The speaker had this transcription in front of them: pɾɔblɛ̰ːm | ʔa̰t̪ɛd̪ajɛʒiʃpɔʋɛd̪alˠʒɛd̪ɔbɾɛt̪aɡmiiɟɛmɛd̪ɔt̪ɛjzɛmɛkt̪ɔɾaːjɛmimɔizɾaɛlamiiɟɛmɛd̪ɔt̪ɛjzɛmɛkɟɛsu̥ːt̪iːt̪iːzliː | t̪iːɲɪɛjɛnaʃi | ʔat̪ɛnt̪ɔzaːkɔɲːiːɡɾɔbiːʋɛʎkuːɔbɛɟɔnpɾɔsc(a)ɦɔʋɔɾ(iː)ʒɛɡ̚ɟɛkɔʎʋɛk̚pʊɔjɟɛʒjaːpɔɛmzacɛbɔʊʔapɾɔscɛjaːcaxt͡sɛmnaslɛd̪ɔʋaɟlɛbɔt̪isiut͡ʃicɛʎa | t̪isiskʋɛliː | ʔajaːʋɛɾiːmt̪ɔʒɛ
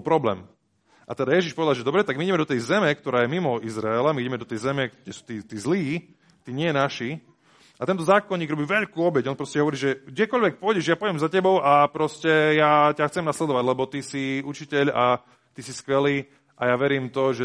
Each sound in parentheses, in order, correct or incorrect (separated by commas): incorrect, correct